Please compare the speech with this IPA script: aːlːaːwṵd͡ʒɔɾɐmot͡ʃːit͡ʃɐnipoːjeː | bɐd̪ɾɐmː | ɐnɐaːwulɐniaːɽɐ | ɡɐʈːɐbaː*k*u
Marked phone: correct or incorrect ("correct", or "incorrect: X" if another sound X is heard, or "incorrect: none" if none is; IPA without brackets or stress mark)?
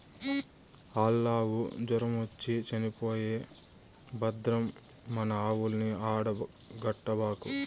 correct